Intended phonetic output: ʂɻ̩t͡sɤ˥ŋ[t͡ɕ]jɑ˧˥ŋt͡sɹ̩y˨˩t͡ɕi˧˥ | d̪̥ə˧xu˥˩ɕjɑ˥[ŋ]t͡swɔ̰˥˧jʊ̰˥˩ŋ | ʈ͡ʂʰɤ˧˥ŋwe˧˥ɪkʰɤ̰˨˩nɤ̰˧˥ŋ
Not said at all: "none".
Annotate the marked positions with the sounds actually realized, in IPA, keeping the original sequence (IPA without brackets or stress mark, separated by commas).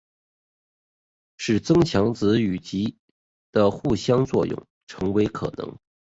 t͡ɕʰ, ŋ